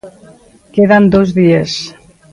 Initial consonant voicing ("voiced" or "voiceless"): voiceless